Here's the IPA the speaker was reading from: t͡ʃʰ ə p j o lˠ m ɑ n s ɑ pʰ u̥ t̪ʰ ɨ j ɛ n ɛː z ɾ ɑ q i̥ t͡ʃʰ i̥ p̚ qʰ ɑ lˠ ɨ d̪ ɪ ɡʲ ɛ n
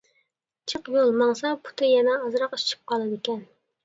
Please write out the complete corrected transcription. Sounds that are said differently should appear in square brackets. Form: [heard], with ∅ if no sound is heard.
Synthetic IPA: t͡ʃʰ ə [q] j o lˠ m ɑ [ŋ] s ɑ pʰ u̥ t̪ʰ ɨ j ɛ n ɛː z ɾ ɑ q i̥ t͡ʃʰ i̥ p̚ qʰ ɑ lˠ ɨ d̪ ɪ [kʲ] ɛ n